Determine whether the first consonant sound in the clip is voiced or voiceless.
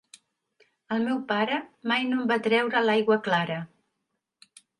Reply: voiced